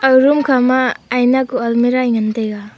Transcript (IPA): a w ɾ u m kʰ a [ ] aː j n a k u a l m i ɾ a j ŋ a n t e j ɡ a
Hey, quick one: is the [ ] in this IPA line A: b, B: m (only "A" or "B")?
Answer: B